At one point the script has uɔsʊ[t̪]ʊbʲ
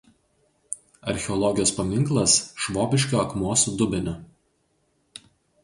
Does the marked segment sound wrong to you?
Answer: yes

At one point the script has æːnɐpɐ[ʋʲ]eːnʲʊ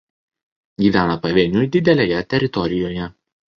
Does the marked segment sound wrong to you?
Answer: no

